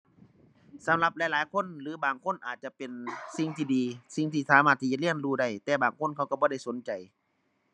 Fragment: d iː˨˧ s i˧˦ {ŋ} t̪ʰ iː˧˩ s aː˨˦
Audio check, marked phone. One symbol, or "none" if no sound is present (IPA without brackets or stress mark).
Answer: ŋ